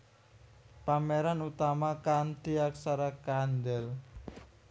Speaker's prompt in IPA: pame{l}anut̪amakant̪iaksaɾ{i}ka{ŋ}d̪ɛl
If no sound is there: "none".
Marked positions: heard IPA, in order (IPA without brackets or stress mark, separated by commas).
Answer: ɾ, a, n